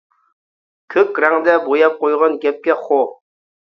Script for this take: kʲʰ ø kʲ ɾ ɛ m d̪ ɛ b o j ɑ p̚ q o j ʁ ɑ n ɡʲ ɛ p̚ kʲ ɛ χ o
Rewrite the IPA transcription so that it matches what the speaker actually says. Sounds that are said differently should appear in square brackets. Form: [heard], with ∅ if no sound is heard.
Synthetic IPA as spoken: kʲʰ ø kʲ ɾ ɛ [ŋ] d̪ ɛ b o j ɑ p̚ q o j ʁ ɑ n ɡʲ ɛ p̚ kʲ ɛ χ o

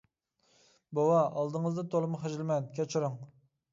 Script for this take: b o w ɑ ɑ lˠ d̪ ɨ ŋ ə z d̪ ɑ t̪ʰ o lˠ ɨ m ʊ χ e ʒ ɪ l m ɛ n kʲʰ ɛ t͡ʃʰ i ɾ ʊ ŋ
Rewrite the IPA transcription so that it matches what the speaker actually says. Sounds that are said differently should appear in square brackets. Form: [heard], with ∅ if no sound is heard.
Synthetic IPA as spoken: b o w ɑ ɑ lˠ d̪ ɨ ŋ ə z d̪ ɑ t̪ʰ o lˠ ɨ m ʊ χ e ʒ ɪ l m ɛ n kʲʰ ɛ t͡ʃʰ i ɾ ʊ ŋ

